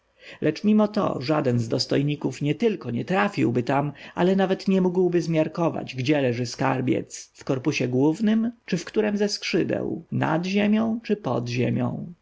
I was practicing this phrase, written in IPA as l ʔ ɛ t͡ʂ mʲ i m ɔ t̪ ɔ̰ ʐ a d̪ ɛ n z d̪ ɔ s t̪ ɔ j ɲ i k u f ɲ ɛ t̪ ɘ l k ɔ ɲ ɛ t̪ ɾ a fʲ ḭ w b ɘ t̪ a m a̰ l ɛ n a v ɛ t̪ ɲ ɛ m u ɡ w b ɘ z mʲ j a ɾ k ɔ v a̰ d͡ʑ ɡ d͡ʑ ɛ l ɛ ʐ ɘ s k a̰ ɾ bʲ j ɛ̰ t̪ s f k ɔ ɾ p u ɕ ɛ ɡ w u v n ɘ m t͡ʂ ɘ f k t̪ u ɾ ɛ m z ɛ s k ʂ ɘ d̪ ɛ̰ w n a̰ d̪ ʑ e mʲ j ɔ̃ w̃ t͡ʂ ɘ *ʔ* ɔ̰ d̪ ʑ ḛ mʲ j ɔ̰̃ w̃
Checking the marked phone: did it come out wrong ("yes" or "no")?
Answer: yes